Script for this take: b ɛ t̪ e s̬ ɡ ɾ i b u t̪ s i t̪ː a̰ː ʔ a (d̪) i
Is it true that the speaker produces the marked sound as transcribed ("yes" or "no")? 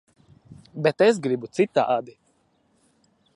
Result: yes